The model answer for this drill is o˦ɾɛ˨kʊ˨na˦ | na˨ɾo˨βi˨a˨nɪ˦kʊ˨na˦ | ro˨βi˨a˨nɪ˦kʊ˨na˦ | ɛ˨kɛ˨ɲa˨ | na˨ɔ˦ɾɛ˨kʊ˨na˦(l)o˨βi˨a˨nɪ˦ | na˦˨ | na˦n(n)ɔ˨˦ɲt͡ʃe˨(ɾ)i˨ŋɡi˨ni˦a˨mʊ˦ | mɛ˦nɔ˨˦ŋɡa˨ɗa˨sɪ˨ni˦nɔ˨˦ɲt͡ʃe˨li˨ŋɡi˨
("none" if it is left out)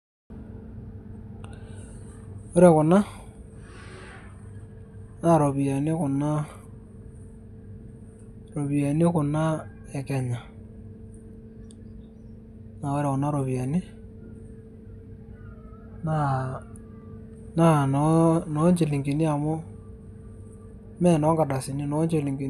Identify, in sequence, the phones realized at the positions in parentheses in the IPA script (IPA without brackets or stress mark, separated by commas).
ɾ, n, l